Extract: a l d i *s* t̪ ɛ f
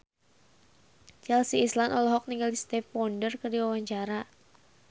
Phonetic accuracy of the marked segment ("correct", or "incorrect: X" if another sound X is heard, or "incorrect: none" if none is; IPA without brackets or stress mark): correct